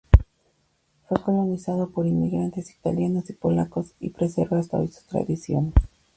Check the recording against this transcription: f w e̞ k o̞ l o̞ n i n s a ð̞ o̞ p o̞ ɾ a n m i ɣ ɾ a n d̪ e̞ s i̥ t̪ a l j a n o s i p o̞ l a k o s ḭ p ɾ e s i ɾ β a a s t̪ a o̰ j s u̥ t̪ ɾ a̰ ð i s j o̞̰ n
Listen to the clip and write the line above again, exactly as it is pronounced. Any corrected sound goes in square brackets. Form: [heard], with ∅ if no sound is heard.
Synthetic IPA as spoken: f w e̞ k o̞ l o̞ n i [∅] s a ð̞ o̞ p o̞ ɾ [i] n m i ɣ ɾ a n [t̪] e̞ s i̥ t̪ a l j a n o s i p o̞ l a k o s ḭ p ɾ e s [e] ɾ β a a s t̪ a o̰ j s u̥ t̪ ɾ a̰ ð i s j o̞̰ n